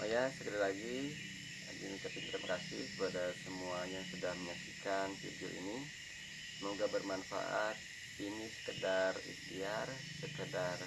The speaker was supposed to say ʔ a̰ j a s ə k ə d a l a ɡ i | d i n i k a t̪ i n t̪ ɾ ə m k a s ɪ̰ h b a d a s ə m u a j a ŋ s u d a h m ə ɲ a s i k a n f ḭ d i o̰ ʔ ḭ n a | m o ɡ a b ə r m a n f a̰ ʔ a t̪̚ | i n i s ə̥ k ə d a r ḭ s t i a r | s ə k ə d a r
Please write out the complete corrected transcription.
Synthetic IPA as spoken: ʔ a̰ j a s ə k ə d a l a ɡ i | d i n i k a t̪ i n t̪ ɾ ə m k a s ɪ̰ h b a d a s ə m u a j a ŋ s u d a h m ə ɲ a s i k a n f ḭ d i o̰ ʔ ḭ n i | m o ɡ a b ə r m a n f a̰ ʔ a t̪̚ | i n i s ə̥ k ə d a r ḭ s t i a r | s ə k ə d a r

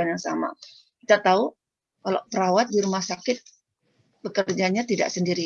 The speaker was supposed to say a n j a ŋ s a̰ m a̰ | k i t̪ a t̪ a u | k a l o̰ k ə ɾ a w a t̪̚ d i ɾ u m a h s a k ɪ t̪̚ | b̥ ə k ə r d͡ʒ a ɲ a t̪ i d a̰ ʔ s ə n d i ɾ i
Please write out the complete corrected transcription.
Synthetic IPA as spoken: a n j a ŋ s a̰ m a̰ | k i t̪ a t̪ a u | k a l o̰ p ə ɾ a w a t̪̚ d i ɾ u m a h s a k ɪ t̪̚ | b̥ ə k ə r d͡ʒ a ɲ a t̪ i d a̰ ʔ s ə n d i ɾ i

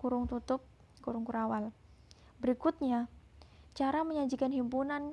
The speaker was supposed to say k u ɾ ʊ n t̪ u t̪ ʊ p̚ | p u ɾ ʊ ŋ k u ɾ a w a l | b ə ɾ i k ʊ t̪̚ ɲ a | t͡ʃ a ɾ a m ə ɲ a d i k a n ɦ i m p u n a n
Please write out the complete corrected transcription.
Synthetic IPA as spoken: k u ɾ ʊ ŋ t̪ u t̪ ʊ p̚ | k u ɾ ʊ ŋ k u ɾ a w a l | b ə ɾ i k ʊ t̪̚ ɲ a | t͡ʃ a ɾ a m ə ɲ a d͡ʒ i k a n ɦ i m p u n a n

